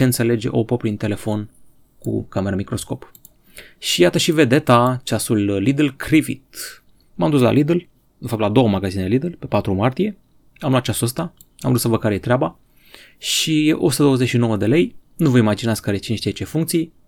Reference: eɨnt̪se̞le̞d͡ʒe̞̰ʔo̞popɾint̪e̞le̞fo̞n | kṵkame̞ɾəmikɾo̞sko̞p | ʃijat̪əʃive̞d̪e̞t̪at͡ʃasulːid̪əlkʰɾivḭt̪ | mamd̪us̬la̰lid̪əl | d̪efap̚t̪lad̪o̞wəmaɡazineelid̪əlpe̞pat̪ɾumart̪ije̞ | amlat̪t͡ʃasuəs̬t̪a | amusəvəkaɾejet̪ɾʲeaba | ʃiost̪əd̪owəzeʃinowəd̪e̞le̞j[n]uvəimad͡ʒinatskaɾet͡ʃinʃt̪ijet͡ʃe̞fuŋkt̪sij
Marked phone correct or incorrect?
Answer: correct